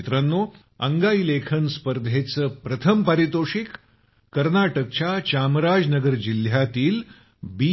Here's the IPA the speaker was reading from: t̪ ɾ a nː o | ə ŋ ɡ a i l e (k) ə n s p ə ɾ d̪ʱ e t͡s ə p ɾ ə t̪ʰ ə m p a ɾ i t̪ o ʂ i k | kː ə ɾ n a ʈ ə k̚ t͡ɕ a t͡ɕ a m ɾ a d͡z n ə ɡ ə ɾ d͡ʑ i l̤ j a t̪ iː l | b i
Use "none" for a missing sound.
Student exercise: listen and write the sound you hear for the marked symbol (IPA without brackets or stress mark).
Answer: kʰ